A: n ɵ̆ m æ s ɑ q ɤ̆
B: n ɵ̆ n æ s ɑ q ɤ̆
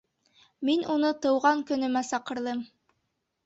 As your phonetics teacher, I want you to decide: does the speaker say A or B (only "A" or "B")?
A